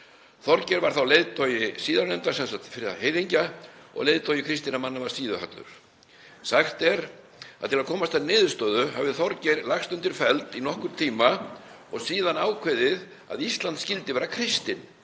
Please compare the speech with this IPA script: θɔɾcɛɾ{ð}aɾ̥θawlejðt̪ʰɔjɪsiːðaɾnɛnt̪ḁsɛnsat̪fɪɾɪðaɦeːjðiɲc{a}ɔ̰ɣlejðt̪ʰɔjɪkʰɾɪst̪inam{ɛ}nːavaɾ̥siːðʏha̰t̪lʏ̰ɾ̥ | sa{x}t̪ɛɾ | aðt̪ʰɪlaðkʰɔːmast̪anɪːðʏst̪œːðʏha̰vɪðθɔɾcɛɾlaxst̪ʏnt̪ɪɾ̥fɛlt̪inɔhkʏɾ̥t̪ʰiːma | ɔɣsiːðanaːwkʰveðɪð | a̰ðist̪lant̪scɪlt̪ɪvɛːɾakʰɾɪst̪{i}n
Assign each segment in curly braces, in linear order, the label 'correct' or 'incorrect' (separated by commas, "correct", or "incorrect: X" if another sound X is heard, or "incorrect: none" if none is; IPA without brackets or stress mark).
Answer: incorrect: v, correct, incorrect: a, correct, incorrect: ɪ